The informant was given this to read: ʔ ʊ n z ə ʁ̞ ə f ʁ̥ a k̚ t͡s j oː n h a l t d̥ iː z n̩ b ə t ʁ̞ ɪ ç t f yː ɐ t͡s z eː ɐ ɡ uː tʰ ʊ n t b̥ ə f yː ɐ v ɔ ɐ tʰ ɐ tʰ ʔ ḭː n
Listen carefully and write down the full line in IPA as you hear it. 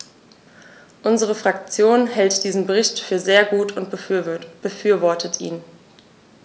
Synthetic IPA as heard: ʔ ʊ n z ə ʁ̞ ə f ʁ̥ a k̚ t͡s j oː n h ɛ l t d̥ iː z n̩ b ə ʁ̞ ɪ ç t f yː ɐ z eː ɐ ɡ uː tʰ ʊ n t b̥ ə f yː ɐ v ɔ ɐ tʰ ə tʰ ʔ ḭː n